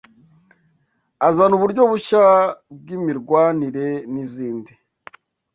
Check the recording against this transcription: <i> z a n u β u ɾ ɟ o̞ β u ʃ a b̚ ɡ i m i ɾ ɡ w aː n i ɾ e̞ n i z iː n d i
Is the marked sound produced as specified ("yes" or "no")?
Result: no